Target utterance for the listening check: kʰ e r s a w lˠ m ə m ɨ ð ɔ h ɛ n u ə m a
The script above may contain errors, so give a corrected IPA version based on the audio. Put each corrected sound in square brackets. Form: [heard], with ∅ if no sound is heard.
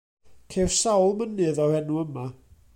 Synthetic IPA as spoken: kʰ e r s a w lˠ m ə [n] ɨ ð ɔ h ɛ n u ə m a